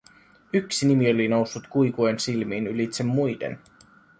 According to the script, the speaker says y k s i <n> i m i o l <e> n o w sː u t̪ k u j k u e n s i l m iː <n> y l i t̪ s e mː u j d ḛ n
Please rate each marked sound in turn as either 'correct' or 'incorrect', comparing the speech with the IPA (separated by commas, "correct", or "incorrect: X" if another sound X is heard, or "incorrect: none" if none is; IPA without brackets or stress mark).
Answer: correct, incorrect: i, correct